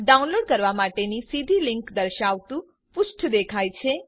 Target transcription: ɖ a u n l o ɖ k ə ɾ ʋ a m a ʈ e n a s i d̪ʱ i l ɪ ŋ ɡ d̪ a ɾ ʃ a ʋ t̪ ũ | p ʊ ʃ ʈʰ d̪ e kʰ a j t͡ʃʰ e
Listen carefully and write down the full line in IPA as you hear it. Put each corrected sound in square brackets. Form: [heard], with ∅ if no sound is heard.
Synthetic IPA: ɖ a u n l o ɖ k ə ɾ ʋ a m a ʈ e n [i] s i d̪ʱ i l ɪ ŋ [k] d̪ [ə] ɾ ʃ a ʋ t̪ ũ | p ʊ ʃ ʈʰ d̪ e kʰ a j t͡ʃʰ e